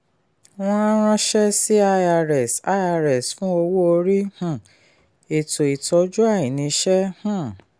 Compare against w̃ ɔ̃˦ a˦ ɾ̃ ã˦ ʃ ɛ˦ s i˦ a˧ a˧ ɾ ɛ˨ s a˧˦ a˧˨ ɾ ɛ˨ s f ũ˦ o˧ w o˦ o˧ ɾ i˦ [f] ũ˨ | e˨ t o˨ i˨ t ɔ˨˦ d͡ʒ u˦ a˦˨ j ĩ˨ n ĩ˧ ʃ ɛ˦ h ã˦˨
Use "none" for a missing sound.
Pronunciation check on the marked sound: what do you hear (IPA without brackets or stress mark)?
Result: h